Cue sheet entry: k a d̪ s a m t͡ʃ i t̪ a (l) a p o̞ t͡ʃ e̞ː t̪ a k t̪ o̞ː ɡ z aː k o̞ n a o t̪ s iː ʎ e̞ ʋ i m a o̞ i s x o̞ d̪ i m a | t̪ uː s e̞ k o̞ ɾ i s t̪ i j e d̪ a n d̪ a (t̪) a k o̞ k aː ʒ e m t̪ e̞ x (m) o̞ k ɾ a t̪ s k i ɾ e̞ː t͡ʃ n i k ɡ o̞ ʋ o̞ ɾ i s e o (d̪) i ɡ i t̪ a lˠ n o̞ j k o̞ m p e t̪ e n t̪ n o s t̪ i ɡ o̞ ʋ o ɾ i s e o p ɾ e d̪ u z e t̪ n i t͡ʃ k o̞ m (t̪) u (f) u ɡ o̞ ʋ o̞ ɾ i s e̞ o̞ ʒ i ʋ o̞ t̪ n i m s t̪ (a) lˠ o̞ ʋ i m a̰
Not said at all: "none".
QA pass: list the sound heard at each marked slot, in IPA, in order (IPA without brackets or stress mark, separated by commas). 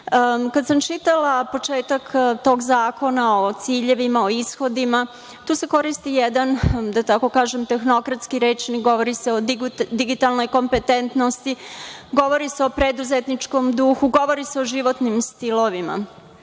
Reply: l, t̪, n, d̪, d̪, x, i